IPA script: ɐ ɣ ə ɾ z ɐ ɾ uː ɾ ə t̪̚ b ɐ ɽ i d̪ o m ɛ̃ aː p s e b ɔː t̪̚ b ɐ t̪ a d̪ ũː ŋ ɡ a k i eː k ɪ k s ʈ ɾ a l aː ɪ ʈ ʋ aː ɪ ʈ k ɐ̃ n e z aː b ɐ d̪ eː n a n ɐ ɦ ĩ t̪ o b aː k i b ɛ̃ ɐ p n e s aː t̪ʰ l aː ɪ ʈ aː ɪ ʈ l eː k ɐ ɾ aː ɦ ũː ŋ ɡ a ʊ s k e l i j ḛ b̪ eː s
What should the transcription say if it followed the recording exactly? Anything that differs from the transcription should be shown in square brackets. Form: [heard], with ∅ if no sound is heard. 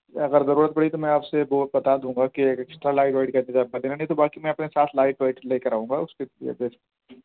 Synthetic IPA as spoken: ɐ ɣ ə ɾ z ɐ ɾ uː ɾ ə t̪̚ b ɐ ɽ i [t̪] o m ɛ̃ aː p s e b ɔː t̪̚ b ɐ t̪ a d̪ ũː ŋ ɡ a k i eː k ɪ k s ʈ ɾ a l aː ɪ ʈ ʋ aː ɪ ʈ k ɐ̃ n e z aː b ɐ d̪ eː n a n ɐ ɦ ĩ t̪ o b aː k i [m] ɛ̃ ɐ p n e s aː t̪ʰ l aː ɪ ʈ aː ɪ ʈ l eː k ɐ ɾ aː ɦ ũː ŋ ɡ a ʊ s k e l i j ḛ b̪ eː s

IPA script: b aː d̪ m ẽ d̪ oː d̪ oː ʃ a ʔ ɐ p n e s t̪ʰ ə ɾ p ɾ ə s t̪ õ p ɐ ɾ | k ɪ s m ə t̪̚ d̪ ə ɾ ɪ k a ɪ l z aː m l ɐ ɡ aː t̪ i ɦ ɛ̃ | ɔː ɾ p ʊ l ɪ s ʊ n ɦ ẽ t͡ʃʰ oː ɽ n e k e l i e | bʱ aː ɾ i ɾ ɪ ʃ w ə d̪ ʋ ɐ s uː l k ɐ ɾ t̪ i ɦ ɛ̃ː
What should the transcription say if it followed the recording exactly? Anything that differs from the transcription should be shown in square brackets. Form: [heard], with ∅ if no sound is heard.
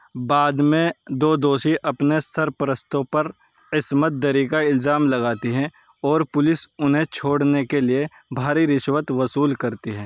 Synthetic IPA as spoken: b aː d̪ m ẽ d̪ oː d̪ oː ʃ [i] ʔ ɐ p n e s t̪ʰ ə ɾ p ɾ ə s t̪ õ p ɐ ɾ | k ɪ s m ə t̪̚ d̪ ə ɾ [i] k a ɪ l z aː m l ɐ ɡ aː t̪ i ɦ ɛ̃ | ɔː ɾ p ʊ l ɪ s ʊ n ɦ ẽ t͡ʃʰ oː ɽ n e k e l i e | bʱ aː ɾ i ɾ ɪ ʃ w ə [t̪] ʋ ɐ s uː l k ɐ ɾ t̪ i ɦ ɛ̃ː

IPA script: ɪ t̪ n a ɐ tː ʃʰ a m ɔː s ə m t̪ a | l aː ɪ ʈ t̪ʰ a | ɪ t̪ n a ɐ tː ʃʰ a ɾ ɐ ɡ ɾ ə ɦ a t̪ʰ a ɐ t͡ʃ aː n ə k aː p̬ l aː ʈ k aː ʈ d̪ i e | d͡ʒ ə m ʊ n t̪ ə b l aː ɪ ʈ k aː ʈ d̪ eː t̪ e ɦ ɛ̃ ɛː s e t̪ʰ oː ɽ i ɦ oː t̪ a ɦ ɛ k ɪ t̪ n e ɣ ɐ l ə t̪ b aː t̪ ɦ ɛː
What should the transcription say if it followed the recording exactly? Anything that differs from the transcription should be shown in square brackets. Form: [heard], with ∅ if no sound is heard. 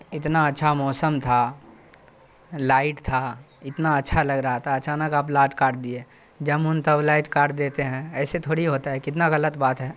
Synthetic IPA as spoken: ɪ t̪ n a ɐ tː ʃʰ a m ɔː s ə m [t̪ʰ] a | l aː ɪ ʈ t̪ʰ a | ɪ t̪ n a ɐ tː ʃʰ a [l] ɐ ɡ ɾ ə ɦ a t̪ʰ a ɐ t͡ʃ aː n ə k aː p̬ l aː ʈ k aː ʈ d̪ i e | d͡ʒ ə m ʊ n t̪ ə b l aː ɪ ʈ k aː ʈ d̪ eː t̪ e ɦ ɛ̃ ɛː s e t̪ʰ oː ɽ i ɦ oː t̪ a ɦ ɛ k ɪ t̪ n [a] ɣ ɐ l ə t̪ b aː t̪ ɦ ɛː

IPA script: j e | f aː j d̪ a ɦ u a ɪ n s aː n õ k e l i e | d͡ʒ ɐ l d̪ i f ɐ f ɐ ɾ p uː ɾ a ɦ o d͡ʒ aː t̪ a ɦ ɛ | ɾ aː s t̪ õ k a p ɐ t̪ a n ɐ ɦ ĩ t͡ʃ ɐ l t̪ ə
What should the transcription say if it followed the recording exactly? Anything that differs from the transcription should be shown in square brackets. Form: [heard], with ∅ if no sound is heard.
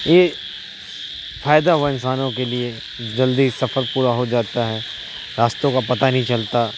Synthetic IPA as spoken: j e | f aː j d̪ a ɦ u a ɪ n s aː n õ k e l i e | d͡ʒ ɐ l d̪ i [s] ɐ f [ə] ɾ p uː ɾ a ɦ o d͡ʒ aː t̪ a ɦ ɛ | ɾ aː s t̪ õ k a p ɐ t̪ a n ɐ ɦ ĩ t͡ʃ ɐ l t̪ [a]

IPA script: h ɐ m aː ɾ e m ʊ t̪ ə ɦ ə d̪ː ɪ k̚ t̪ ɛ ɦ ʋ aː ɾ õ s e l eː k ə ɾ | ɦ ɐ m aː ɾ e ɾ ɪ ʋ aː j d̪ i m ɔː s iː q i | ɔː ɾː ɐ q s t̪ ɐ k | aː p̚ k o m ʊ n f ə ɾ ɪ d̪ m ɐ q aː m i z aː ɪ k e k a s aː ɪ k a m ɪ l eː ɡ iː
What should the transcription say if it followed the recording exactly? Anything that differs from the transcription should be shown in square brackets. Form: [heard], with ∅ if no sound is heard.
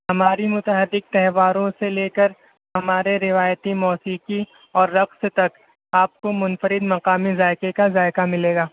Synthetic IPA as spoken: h ɐ m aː ɾ [i] m ʊ t̪ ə ɦ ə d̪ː ɪ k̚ t̪ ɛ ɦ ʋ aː ɾ õ s e l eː k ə ɾ | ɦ ɐ m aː ɾ e ɾ ɪ ʋ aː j [t̪] i m ɔː s iː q i | ɔː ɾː ɐ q s t̪ ɐ k | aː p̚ k o m ʊ n f ə ɾ ɪ d̪ m ɐ q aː m i z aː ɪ k e k a [z] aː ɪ k a m ɪ l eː ɡ [aː]

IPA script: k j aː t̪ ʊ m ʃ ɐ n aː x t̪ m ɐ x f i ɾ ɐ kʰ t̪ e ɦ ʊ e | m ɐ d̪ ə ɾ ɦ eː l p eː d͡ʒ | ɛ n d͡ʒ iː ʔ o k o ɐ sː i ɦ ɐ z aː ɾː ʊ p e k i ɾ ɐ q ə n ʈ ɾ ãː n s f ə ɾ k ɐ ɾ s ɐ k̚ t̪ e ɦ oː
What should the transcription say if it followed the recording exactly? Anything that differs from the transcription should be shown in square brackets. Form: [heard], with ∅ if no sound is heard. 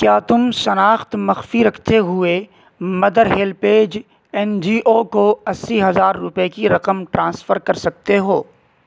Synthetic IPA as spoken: k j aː t̪ ʊ m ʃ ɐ n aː x t̪ m ɐ x f i ɾ ɐ kʰ t̪ e ɦ ʊ e | m ɐ d̪ ə ɾ ɦ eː l p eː d͡ʒ | ɛ n d͡ʒ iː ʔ o k o ɐ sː i ɦ ɐ z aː ɾː ʊ p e k i ɾ ɐ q ə [m] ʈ ɾ ãː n s f ə ɾ k ɐ ɾ s ɐ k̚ t̪ e ɦ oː

